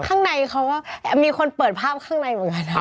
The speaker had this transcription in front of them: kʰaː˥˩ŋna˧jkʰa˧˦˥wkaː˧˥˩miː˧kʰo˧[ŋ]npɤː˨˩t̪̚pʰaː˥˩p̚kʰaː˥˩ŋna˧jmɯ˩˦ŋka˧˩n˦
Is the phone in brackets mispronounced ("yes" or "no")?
yes